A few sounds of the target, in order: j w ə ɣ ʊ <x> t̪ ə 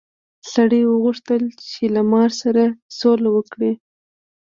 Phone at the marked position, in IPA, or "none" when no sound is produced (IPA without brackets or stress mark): ʂ